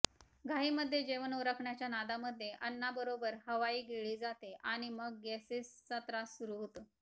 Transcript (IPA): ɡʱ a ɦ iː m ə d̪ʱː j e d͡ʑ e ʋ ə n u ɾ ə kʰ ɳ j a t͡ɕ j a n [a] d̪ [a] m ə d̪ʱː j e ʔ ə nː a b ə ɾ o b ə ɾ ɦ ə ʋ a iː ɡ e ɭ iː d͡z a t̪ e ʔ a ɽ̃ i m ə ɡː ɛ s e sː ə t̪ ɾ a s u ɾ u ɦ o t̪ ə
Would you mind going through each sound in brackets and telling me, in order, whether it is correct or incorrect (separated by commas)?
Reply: correct, correct